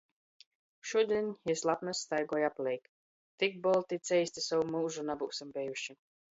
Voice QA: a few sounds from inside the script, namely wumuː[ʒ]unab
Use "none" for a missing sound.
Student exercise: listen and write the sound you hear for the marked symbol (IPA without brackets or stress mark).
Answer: ʒ